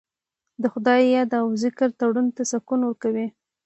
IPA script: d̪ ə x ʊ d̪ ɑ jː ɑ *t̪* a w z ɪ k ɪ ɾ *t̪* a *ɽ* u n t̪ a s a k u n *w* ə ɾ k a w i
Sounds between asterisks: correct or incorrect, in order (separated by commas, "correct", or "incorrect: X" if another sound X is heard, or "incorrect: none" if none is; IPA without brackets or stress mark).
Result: incorrect: d̪, correct, correct, correct